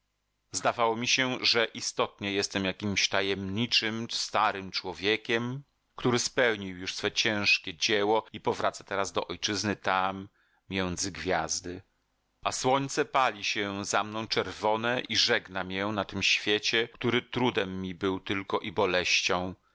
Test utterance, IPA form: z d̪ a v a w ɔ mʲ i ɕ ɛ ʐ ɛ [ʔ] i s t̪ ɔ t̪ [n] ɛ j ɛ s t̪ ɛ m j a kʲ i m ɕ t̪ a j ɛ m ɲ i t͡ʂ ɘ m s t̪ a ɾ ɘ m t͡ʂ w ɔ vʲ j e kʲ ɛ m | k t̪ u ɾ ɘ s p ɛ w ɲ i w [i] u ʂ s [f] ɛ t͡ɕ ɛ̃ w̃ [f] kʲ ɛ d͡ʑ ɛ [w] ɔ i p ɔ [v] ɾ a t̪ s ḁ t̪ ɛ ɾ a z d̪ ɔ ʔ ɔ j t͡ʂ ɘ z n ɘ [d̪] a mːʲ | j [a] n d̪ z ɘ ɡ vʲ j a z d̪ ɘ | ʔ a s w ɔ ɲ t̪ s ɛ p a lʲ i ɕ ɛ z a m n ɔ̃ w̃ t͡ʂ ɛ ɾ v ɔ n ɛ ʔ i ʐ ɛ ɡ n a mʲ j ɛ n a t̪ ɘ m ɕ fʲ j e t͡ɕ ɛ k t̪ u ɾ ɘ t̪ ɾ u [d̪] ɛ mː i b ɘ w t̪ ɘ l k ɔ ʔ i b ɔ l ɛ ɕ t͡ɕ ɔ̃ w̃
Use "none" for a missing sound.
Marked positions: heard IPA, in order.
ʔ, ɲ, j, f, ʂ, w, v, t̪, ɛ, d̪

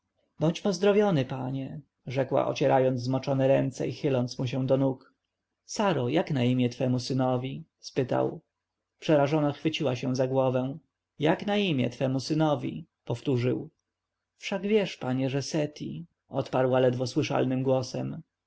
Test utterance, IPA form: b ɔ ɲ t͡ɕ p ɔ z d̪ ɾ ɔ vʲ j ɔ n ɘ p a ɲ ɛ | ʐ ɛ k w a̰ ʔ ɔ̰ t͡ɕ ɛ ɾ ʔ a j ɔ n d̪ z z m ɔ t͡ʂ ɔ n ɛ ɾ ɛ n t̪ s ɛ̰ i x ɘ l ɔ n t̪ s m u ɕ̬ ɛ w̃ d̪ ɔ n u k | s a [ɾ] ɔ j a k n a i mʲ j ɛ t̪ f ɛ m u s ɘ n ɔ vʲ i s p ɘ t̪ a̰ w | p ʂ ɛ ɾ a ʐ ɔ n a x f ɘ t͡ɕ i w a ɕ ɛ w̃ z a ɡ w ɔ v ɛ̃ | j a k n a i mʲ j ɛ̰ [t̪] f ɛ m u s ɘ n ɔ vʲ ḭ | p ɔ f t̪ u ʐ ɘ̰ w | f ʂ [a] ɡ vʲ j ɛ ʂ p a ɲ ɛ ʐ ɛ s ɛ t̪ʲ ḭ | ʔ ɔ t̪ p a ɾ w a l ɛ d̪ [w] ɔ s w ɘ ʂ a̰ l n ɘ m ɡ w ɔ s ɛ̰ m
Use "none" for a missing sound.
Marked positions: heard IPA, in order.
ɾ, t̪, a, v

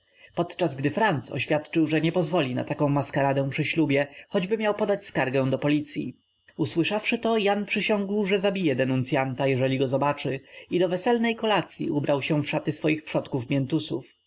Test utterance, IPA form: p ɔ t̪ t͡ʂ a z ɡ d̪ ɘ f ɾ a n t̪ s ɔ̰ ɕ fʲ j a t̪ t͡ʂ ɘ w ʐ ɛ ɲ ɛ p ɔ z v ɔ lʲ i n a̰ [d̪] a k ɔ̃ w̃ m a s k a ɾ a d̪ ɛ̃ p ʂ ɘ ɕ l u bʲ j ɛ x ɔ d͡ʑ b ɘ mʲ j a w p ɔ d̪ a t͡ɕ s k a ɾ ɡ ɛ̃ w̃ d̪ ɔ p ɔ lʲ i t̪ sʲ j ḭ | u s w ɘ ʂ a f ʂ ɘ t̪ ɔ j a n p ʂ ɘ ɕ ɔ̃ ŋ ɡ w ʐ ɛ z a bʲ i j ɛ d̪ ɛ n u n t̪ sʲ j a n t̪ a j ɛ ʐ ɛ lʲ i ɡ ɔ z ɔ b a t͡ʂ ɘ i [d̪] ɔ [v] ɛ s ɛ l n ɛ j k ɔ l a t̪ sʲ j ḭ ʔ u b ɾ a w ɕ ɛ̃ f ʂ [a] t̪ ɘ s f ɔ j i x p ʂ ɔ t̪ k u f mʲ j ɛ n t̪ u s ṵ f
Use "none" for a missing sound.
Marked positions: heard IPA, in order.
t̪, d̪, v, a

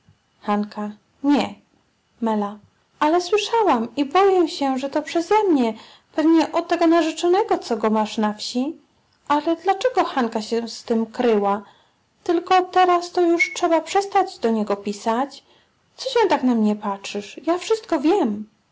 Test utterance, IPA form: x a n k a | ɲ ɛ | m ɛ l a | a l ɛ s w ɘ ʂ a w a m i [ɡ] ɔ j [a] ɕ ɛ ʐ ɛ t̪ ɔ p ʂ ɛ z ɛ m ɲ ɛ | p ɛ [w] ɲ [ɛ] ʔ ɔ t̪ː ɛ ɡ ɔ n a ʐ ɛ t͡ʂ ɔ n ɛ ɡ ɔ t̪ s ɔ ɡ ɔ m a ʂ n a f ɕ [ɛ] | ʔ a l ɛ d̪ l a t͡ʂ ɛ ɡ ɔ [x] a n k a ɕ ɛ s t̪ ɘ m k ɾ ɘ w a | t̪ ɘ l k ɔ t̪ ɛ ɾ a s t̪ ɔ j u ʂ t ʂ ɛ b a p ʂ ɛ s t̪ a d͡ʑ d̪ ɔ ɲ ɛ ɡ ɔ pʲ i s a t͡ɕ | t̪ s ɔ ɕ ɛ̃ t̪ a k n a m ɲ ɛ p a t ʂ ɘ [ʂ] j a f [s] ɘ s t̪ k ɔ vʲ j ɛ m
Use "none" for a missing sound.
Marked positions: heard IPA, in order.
b, ɛ, v, ɛ, i, x, ʂ, ʂ

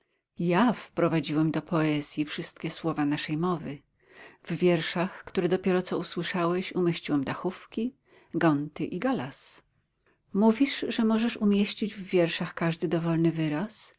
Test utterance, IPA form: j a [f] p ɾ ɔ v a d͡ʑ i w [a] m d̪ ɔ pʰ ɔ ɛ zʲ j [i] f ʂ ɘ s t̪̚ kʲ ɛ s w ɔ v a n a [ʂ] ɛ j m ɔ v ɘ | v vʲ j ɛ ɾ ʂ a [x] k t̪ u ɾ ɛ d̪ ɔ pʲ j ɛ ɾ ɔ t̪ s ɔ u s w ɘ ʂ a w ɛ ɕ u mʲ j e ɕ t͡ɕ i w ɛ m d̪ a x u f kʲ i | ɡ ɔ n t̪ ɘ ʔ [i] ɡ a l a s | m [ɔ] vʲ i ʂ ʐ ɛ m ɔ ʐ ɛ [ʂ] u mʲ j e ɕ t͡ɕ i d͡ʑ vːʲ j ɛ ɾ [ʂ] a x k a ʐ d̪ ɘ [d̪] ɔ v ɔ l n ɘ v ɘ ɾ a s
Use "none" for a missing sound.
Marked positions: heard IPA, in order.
f, ɛ, i, ʂ, x, i, u, ʂ, ʂ, d̪

